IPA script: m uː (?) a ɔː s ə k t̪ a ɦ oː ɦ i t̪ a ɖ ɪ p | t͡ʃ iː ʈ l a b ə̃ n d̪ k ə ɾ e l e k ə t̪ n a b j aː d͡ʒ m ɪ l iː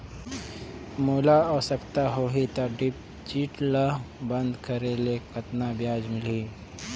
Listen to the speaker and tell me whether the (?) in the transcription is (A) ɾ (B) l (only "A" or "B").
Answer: B